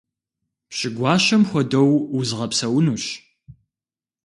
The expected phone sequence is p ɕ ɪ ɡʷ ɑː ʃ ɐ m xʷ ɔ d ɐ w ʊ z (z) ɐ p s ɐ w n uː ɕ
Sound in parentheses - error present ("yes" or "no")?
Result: yes